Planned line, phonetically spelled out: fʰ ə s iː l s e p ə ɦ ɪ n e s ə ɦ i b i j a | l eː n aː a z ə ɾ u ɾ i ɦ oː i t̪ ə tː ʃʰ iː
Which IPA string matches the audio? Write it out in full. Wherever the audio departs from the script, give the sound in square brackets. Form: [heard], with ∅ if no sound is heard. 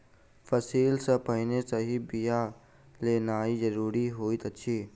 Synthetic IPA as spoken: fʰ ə s iː l s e p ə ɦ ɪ n e s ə ɦ i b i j a | l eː n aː [i] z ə ɾ [uː] ɾ i ɦ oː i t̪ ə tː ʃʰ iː